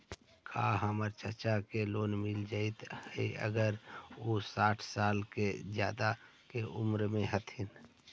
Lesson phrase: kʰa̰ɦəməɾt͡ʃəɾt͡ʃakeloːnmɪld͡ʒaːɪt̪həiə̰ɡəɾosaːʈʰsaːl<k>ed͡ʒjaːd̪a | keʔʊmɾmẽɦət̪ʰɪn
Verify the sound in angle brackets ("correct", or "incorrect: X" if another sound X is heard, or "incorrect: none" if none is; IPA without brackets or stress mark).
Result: correct